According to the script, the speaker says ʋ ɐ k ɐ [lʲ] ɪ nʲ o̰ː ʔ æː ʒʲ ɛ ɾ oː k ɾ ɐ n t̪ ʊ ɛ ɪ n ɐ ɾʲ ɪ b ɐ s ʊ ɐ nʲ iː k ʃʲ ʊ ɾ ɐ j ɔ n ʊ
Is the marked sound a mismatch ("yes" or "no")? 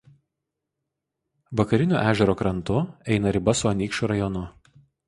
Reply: yes